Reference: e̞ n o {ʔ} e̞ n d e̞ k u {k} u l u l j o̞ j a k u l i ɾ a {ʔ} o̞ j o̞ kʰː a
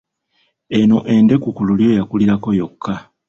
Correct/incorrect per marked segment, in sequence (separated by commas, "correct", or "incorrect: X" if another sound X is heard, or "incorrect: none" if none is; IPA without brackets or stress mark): correct, correct, incorrect: k